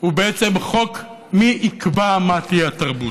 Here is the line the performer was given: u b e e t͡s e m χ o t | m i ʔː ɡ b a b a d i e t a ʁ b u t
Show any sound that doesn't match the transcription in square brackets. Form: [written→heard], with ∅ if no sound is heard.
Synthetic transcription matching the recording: u b e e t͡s e m χ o [t→k] | m i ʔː [ɡ→k] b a [b→m] a [d→t] i [e→a] t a ʁ b u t